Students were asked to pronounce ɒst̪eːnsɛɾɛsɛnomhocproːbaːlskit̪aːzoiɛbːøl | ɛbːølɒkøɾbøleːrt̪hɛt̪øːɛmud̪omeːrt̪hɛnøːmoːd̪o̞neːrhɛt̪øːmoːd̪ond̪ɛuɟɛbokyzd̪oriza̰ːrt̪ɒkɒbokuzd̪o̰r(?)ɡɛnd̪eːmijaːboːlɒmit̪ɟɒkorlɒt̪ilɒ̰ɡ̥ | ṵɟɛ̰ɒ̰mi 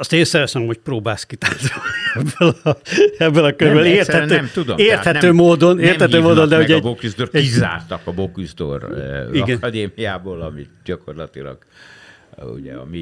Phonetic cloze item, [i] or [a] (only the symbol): i